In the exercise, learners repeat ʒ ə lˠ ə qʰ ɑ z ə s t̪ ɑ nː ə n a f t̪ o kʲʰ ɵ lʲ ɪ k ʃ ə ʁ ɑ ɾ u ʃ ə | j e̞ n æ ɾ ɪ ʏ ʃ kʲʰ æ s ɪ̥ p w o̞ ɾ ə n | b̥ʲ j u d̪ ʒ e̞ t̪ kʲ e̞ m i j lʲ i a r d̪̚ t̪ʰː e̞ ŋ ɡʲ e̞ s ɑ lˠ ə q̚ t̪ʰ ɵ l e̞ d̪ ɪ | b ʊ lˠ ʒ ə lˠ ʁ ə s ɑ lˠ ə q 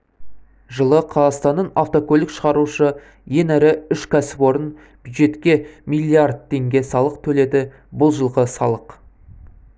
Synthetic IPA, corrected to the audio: ʒ ə lˠ ə qʰ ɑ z ɑ s t̪ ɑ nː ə n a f t̪ o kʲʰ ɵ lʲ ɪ k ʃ ə ʁ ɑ ɾ u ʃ ə | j e̞ n æ ɾ ɪ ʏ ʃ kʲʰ æ s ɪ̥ p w o̞ ɾ ə n | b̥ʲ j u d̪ ʒ e̞ t̪ kʲ e̞ m i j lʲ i a r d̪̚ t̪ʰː e̞ ŋ ɡʲ e̞ s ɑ lˠ ə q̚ t̪ʰ ɵ l e̞ d̪ ɪ | b ʊ lˠ ʒ ə lˠ ʁ ə s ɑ lˠ ə q